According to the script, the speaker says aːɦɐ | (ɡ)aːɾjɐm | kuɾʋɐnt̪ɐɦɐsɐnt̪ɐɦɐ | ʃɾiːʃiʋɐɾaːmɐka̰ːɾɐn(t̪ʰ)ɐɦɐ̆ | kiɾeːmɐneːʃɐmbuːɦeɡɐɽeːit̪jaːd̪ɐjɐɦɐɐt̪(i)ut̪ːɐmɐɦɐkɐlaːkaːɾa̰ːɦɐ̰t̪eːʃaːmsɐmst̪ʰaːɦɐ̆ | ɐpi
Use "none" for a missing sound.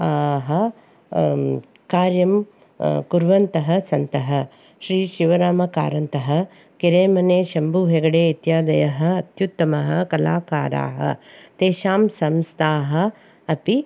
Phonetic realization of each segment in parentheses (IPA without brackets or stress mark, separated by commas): k, t̪, j